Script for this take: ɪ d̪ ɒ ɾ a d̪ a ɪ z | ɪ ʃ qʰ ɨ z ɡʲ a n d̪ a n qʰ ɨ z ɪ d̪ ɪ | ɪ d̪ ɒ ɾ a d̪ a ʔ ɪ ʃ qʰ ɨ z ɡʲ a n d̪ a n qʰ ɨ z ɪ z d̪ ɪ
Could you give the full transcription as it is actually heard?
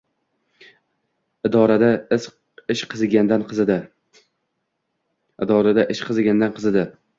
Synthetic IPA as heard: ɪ d̪ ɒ ɾ a d̪ a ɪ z | ɪ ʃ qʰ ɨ z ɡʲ a n d̪ a n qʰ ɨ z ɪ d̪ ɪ | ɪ d̪ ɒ ɾ a d̪ a ʔ ɪ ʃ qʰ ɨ z ɡʲ a n d̪ a n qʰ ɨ z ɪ d̪ ɪ